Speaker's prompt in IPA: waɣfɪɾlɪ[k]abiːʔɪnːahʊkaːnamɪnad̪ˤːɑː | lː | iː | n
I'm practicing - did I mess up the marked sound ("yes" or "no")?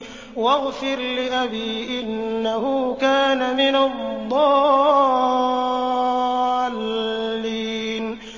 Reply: yes